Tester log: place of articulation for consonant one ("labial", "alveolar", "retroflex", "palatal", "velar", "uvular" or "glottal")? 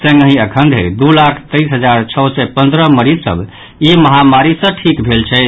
alveolar